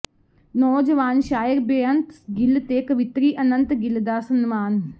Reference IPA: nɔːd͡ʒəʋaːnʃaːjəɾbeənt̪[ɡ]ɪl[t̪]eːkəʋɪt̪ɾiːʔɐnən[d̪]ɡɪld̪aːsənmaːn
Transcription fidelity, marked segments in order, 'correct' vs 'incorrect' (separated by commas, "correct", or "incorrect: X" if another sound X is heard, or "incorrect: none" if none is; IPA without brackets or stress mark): correct, correct, incorrect: t̪